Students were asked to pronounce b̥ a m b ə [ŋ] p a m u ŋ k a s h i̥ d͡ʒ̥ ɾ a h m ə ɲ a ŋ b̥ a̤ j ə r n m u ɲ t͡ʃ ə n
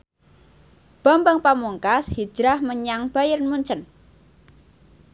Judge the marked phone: correct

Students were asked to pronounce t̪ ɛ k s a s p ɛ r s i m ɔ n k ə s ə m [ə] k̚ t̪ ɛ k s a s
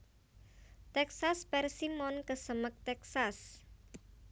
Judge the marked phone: correct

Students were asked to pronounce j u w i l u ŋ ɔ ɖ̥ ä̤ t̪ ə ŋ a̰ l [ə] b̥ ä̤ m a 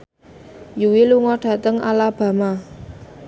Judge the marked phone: incorrect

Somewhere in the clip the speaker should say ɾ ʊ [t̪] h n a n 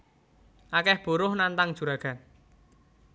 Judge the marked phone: incorrect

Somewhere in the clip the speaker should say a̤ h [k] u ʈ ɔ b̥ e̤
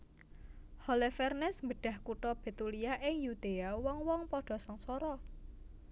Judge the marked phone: correct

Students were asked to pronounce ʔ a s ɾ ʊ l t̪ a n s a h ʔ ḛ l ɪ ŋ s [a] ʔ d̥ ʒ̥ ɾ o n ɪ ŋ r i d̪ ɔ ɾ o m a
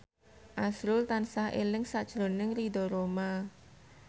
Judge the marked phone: correct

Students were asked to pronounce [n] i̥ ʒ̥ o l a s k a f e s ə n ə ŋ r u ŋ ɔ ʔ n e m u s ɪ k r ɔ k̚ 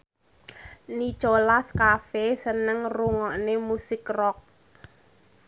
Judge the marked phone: correct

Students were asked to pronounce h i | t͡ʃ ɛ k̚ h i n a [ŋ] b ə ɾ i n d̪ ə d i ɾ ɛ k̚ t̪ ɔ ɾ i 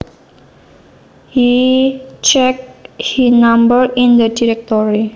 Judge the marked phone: incorrect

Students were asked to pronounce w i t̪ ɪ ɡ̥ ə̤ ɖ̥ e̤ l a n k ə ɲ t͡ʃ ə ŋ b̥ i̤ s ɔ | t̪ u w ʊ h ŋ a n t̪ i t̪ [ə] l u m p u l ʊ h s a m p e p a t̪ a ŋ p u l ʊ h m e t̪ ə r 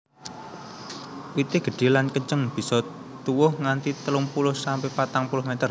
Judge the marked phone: correct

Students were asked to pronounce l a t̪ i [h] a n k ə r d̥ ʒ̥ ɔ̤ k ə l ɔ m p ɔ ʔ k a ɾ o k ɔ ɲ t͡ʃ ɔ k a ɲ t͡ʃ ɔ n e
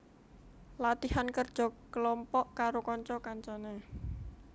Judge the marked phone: correct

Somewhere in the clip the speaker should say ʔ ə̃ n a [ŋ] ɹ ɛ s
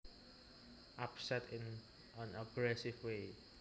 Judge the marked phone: incorrect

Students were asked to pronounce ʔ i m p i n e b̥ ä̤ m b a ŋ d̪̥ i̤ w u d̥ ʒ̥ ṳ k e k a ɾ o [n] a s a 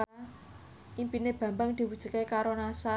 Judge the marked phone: correct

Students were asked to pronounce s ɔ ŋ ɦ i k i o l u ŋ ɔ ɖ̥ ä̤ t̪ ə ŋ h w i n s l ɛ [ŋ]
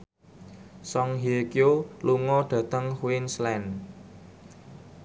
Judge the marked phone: incorrect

